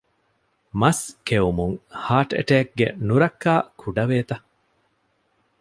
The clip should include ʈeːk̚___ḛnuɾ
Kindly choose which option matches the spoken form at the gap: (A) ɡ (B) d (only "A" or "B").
A